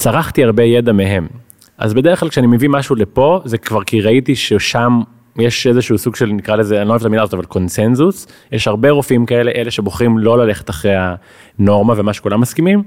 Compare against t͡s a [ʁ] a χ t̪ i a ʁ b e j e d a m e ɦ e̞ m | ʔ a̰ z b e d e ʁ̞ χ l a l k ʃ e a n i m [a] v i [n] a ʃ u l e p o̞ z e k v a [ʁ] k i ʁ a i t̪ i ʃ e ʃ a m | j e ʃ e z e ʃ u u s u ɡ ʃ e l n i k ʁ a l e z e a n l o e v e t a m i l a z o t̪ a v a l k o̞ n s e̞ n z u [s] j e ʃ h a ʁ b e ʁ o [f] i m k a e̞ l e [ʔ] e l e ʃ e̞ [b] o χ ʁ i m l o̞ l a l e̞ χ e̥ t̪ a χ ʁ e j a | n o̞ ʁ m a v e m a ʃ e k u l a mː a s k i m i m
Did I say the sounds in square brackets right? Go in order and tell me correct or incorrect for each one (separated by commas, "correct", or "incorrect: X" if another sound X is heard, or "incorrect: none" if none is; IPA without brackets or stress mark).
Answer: correct, incorrect: e, incorrect: m, correct, correct, correct, correct, correct